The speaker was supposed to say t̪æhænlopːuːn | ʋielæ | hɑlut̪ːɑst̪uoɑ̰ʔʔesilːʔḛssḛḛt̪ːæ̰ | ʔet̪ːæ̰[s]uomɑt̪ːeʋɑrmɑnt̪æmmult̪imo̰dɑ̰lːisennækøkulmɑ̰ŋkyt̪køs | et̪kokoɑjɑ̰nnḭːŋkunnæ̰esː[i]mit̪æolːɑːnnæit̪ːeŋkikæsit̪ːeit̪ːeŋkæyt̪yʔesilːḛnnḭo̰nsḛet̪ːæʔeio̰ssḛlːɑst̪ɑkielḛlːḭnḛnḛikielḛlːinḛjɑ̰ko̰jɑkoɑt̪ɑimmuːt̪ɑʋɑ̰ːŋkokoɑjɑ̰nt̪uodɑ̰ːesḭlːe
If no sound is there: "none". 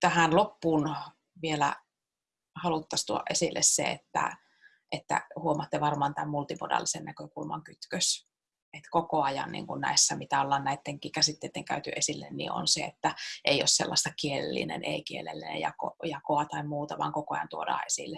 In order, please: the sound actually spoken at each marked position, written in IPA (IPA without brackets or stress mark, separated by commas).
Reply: h, æ